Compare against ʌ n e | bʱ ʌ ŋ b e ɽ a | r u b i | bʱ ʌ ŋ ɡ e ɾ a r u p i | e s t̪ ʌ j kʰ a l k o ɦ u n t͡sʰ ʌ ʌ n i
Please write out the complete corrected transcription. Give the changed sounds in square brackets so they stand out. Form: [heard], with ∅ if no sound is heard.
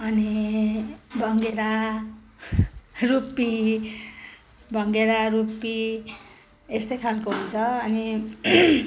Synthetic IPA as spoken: ʌ n [i] | bʱ ʌ ŋ [ɡ] e [ɾ] a | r u [p] i | bʱ ʌ ŋ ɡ e ɾ a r u p i | e s t̪ ʌ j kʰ a l k o ɦ u n t͡sʰ ʌ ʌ n i